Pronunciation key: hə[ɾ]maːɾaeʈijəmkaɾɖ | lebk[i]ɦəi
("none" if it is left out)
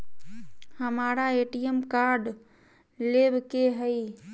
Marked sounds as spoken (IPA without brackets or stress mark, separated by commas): none, e